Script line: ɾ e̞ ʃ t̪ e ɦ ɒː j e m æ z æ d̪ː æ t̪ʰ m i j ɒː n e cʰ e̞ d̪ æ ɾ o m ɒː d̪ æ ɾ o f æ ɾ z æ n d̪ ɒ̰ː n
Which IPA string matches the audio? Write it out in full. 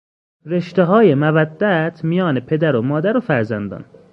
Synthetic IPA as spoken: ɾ e̞ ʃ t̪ e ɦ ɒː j e m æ v æ d̪ː æ t̪ʰ m i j ɒː n e pʰ e̞ d̪ æ ɾ o m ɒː d̪ æ ɾ o f æ ɾ z æ n d̪ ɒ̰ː n